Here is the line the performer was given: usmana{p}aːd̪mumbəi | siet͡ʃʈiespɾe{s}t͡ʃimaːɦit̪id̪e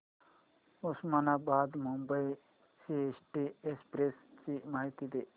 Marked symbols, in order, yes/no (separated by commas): no, yes